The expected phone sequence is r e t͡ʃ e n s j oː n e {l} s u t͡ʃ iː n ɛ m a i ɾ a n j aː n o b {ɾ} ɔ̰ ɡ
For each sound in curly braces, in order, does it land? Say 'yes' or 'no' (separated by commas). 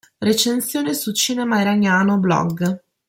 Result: no, no